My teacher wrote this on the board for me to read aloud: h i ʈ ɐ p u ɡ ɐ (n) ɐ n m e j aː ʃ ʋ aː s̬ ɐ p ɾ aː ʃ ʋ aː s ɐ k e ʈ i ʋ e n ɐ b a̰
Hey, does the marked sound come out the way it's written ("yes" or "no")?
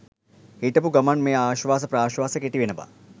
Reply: no